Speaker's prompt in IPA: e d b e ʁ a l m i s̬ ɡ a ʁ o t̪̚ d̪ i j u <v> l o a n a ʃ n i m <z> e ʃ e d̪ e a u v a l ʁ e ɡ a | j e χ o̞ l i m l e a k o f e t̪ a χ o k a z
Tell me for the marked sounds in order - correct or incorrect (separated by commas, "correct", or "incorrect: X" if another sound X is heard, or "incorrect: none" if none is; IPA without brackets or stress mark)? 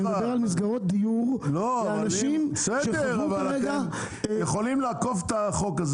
incorrect: ʁ, incorrect: s